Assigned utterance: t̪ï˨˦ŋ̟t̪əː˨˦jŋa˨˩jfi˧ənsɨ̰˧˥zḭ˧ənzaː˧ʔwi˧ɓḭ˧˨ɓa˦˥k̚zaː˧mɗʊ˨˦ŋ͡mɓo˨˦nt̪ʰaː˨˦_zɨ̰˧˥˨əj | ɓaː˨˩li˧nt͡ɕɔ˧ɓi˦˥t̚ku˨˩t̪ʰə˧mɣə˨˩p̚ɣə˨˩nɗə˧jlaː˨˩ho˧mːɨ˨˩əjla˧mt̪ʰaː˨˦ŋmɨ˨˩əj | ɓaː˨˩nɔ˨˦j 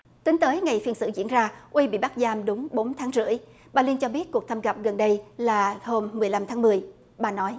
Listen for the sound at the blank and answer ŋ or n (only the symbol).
ŋ